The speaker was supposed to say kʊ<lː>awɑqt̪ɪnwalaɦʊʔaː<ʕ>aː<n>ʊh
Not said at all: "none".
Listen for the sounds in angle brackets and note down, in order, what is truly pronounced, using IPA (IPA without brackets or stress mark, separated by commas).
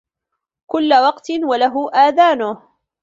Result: lː, ð, n